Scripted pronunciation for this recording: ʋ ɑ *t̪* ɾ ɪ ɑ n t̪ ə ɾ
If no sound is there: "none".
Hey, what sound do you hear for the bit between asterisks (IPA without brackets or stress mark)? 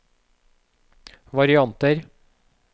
none